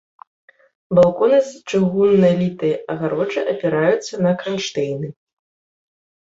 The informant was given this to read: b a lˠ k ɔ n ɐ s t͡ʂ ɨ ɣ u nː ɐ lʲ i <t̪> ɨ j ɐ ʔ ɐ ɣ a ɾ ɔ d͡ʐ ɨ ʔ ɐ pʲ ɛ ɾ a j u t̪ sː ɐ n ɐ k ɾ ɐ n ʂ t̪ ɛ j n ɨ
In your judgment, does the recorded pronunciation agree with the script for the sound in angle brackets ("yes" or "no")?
yes